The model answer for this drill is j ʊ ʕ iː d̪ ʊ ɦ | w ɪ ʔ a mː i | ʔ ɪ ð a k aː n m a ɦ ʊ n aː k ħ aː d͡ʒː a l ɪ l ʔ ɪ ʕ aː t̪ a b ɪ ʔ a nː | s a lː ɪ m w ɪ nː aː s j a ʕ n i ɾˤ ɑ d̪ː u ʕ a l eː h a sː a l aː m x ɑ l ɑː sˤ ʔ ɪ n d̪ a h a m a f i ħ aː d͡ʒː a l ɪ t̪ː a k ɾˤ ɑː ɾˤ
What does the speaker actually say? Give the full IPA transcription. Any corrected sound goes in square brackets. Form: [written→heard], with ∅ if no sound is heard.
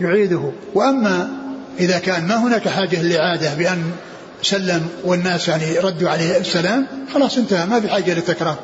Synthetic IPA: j ʊ ʕ iː d̪ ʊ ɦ | w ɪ ʔ a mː [i→a] | ʔ ɪ ð a k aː n m a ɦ ʊ n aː k ħ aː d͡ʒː a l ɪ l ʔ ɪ ʕ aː [t̪→d̪] a b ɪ ʔ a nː | s a lː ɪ m w ɪ nː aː s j a ʕ n i ɾˤ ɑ d̪ː u ʕ a l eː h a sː a l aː m x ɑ l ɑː sˤ ʔ ɪ n [d̪→t̪] a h a m a f i ħ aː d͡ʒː a l ɪ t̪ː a k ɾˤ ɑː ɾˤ